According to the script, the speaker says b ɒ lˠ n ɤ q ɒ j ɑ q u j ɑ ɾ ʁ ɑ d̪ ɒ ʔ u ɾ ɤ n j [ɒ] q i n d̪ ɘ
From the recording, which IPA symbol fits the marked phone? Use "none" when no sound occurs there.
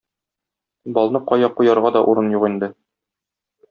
u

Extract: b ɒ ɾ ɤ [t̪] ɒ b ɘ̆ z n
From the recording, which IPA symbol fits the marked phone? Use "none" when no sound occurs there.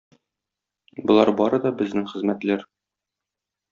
d̪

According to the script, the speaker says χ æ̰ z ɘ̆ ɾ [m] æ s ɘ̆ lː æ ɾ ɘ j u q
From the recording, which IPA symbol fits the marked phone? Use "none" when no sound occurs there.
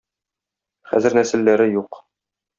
n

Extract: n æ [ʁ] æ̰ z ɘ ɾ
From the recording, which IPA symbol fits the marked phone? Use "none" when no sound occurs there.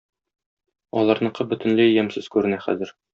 χ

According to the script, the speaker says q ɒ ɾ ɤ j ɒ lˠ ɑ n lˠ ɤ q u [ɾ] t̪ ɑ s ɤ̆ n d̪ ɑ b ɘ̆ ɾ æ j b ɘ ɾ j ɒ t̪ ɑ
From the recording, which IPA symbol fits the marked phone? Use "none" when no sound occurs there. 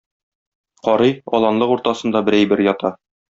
ɾ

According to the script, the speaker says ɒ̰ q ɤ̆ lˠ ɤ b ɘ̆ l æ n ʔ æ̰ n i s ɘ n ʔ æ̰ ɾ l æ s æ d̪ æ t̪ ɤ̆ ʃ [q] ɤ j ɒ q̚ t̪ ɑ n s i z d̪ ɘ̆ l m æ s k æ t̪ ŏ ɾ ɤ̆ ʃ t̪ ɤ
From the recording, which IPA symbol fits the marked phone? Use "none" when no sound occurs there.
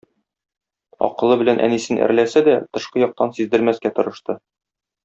q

